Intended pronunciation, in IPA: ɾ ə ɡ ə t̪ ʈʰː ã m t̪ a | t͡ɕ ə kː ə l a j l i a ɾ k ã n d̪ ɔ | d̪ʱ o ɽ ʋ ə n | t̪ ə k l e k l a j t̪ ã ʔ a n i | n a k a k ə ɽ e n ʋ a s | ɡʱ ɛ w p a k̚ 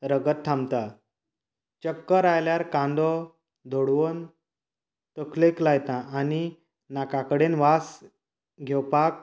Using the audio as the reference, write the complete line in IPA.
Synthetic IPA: ɾ ə ɡ ə t̪ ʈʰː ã m t̪ a | t͡ɕ ə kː ə ɾ a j l j a ɾ k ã n d̪ ɔ | d̪ʱ o ɽ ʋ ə n | t̪ ə k l e k l a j t̪ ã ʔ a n i | n a k a k ə ɽ e n ʋ a s | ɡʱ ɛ w p a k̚

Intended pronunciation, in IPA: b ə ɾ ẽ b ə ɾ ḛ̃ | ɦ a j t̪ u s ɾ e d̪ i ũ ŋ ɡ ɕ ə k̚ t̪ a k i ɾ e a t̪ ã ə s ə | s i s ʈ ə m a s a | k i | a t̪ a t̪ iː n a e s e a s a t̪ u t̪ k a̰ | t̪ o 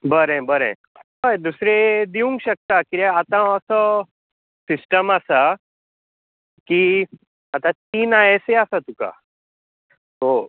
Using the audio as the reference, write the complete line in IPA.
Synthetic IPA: b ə ɾ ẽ b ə ɾ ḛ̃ | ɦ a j d̪ u s ɾ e d̪ i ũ ŋ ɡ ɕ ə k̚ t̪ a k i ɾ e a t̪ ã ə s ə | s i s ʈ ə m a s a | k i | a t̪ a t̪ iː n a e s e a s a t̪ u k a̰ | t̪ o

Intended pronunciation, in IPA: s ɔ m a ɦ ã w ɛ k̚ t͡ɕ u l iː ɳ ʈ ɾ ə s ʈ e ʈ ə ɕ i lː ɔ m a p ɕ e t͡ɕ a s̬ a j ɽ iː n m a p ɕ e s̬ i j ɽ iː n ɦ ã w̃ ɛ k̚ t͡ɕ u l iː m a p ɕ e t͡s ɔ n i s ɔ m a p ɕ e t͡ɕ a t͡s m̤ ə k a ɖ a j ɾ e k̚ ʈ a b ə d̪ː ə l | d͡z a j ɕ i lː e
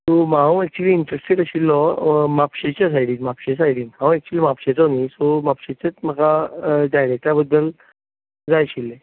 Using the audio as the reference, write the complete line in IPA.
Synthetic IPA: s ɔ m a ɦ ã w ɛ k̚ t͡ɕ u l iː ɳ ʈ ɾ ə s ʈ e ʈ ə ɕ i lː ɔ m a p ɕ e t͡ɕ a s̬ a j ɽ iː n m a p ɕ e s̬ a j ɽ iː n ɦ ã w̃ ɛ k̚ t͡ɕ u l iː m a p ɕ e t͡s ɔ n i s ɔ m a p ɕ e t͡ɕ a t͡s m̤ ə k a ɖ a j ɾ e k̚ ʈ a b ə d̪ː ə l | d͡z a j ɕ i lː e

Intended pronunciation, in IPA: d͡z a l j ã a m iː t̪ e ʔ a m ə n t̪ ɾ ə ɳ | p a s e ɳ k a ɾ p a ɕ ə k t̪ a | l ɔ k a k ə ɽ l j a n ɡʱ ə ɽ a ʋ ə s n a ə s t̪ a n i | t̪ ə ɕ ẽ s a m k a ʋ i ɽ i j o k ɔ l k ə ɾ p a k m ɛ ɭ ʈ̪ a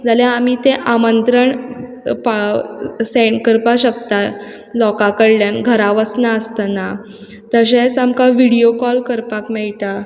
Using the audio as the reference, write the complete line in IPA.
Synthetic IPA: d͡z a l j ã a m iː t̪ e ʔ a m ə n t̪ ɾ ə ɳ | p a s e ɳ k ə ɾ p a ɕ ə k t̪ a | l ɔ k a k ə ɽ l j a n ɡʱ ə ɾ a ʋ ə s n a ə s t̪ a n a | t̪ ə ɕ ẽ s a m k a ʋ i ɽ i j o k ɔ l k ə ɾ p a k m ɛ ɭ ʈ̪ a

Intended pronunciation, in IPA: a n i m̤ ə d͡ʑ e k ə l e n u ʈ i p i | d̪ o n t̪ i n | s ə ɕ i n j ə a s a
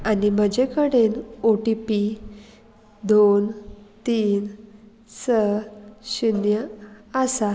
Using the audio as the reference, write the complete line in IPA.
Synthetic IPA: a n i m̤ ə d͡ʑ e k ə ɽ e n o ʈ i p i | d̪ o n t̪ iː n | s ə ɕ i n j ə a s a

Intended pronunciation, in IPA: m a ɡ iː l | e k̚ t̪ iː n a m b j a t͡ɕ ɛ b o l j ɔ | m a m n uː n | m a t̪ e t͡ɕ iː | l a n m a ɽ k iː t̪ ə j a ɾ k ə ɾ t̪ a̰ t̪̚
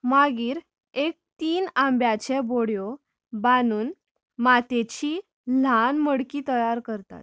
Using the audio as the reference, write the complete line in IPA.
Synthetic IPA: m a ɡ iː ɾ | e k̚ t̪ iː n a m b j a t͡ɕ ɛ b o ɽ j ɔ | b a n uː n | m a t̪ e t͡ɕ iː | l a n m ə ɽ k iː t̪ ə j a ɾ k ə ɾ t̪ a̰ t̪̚

